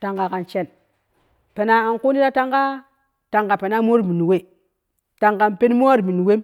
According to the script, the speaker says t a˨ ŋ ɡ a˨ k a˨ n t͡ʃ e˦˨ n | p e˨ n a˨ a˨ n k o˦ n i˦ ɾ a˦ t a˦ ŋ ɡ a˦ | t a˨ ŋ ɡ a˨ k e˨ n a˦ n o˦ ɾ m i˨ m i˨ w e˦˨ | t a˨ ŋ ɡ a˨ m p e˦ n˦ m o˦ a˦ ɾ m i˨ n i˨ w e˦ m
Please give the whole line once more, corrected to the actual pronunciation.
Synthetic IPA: t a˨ ŋ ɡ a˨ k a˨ n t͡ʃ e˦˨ n | p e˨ n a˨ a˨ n k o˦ n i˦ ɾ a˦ t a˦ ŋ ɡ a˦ | t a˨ ŋ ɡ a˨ p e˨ n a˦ m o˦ ɾ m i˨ n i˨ w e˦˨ | t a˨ ŋ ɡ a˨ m p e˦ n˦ m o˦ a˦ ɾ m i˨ n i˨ w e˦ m